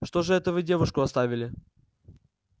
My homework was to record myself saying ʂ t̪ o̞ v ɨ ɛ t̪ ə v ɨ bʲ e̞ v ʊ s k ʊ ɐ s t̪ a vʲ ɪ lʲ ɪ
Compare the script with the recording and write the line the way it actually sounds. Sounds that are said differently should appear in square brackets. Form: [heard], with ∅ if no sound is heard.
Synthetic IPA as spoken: ʂ t̪ o̞ [ʐ] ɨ ɛ t̪ ə v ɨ [dʲ] e̞ v ʊ [ʂ] k ʊ ɐ s t̪ a vʲ ɪ lʲ ɪ